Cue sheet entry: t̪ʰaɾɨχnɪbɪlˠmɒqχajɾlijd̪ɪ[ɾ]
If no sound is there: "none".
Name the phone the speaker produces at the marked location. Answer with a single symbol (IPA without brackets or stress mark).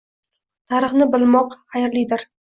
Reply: ɾ